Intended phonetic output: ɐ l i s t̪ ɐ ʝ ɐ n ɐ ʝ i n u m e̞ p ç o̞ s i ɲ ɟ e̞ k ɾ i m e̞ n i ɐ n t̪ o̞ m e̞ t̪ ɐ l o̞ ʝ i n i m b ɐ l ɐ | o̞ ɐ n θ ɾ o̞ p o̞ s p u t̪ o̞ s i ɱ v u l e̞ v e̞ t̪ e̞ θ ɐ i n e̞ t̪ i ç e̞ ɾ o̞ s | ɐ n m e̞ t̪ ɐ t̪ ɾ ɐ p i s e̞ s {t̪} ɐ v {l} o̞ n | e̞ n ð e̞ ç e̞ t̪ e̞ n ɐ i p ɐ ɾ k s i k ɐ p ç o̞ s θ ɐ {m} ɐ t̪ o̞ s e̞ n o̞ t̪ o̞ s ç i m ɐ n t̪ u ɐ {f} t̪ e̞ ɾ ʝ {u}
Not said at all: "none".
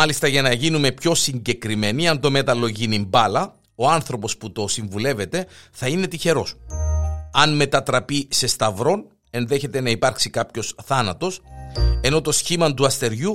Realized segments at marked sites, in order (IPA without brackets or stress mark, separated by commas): t̪, ɾ, n, s, u